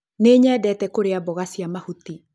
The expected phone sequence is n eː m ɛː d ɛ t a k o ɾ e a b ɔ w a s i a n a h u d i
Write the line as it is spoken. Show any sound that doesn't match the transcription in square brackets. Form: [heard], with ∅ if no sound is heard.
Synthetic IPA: n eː [ɲ] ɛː d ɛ t [ɛ] k o ɾ e a b ɔ [ɣ] a s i a [m] a h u [t] i